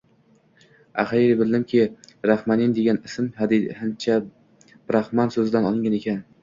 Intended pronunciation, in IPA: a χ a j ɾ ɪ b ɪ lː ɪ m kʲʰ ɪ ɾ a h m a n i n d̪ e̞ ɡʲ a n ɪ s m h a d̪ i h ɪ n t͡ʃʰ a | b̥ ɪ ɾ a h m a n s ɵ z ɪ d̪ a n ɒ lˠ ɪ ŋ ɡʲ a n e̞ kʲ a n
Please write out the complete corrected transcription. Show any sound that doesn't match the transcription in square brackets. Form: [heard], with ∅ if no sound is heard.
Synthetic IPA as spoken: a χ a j ɾ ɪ b ɪ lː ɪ m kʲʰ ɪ ɾ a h m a n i n d̪ e̞ ɡʲ a n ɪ s m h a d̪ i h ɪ n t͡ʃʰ a | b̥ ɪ ɾ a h m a n s ɵ z ɪ d̪ a n ɒ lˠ ɪ ŋ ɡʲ a n e̞ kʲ a n